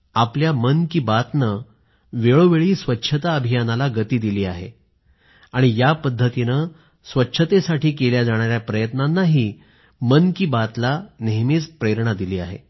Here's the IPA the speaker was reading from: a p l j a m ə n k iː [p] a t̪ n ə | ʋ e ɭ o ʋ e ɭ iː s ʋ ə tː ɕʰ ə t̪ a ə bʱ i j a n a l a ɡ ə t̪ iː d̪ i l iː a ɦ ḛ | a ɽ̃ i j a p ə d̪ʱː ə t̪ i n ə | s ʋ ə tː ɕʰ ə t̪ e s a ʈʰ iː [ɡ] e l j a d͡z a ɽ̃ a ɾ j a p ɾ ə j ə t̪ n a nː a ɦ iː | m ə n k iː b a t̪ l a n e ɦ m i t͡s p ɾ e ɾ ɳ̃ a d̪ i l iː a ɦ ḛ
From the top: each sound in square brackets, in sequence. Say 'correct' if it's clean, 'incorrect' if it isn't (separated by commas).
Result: incorrect, incorrect